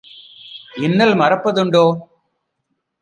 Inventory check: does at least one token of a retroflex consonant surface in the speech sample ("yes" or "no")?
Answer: yes